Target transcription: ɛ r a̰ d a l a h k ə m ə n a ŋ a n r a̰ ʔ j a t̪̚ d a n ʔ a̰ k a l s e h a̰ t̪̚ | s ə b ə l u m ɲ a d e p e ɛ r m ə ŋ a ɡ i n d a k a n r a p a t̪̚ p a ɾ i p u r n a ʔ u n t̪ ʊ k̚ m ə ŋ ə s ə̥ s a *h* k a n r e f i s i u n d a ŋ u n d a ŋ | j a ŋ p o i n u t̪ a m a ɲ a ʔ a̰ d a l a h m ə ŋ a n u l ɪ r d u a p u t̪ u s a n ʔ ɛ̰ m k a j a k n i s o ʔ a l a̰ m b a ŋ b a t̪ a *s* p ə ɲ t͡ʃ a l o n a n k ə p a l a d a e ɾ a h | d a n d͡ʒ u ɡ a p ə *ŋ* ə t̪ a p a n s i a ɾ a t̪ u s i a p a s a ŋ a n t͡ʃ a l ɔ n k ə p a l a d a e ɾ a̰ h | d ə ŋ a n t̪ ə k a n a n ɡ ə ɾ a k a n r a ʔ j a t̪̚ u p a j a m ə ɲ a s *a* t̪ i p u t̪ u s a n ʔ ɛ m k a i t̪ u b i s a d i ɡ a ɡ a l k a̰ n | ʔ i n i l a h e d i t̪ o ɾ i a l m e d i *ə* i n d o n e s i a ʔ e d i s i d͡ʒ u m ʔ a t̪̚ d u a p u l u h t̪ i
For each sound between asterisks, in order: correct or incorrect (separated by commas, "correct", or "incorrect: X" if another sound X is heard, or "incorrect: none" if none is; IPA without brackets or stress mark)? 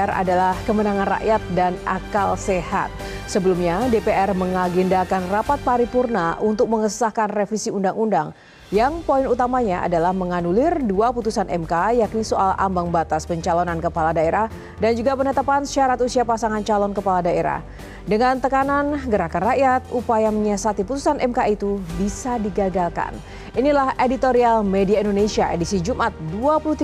correct, correct, incorrect: n, correct, incorrect: a